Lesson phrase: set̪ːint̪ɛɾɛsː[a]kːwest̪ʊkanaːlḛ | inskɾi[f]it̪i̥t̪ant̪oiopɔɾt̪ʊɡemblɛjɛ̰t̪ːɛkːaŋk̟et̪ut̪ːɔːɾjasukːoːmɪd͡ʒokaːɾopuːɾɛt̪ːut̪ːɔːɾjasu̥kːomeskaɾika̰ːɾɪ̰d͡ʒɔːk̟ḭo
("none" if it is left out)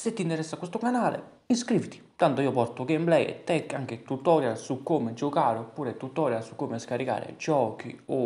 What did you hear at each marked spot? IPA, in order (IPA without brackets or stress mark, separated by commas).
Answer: a, v